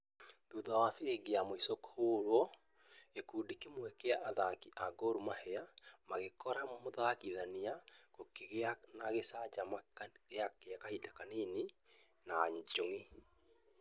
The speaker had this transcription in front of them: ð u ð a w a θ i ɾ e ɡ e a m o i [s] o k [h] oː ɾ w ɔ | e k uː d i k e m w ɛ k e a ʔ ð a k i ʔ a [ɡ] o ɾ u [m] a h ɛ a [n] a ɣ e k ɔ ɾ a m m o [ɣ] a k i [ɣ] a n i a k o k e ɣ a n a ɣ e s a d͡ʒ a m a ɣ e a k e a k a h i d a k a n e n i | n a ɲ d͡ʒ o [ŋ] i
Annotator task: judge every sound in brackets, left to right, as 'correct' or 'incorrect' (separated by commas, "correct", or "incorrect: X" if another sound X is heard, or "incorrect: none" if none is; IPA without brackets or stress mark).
correct, correct, correct, correct, incorrect: m, incorrect: ð, incorrect: ð, correct